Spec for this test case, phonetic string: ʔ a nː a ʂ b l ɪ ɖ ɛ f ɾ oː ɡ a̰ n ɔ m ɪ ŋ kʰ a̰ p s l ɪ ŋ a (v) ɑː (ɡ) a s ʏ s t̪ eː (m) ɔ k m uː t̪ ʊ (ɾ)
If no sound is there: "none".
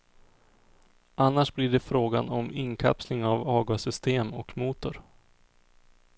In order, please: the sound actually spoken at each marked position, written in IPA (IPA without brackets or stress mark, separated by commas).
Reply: v, ɡ, m, ɾ